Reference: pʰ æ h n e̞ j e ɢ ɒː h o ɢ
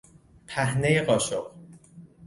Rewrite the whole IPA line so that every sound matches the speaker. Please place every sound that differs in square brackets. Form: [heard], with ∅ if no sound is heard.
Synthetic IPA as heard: pʰ æ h n e̞ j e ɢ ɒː [ʃ] o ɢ